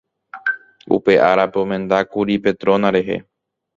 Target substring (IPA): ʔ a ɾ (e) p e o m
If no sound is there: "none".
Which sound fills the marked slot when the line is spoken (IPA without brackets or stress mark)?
a